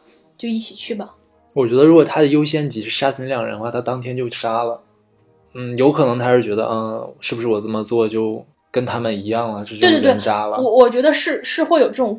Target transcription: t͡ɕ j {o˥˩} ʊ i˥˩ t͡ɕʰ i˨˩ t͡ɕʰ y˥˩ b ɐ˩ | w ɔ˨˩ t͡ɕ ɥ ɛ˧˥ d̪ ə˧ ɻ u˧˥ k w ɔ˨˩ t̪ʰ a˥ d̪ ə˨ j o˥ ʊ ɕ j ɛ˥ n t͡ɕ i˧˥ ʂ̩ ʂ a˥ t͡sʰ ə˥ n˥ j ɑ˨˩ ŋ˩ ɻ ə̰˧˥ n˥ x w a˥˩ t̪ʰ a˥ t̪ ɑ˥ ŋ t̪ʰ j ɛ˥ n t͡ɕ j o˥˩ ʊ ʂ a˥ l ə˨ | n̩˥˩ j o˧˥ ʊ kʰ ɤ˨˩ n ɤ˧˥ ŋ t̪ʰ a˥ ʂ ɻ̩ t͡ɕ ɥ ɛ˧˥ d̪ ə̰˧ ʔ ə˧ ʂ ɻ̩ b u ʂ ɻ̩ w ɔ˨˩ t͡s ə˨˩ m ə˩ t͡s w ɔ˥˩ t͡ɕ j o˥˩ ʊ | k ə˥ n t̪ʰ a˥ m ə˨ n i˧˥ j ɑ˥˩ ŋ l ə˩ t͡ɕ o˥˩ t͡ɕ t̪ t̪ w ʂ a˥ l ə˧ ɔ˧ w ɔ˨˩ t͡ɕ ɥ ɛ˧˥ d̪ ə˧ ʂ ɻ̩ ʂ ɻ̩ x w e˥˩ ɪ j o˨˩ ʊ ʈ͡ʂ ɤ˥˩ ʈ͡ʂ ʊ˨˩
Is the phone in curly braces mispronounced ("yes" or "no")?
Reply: yes